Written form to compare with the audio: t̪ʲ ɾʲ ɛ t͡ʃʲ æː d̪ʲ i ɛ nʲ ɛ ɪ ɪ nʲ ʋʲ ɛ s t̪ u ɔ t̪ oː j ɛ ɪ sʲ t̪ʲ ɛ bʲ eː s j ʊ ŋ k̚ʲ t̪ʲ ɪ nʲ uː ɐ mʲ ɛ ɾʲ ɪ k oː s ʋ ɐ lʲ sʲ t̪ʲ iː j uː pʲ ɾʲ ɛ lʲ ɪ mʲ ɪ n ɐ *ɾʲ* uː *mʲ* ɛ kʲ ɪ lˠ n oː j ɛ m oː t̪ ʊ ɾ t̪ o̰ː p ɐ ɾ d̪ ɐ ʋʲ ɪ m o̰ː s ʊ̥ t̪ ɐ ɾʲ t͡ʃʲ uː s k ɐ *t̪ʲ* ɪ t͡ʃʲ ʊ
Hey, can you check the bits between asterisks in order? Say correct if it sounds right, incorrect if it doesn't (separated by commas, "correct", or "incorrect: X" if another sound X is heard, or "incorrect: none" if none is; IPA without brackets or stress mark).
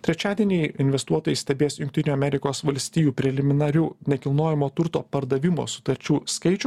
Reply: correct, incorrect: nʲ, incorrect: none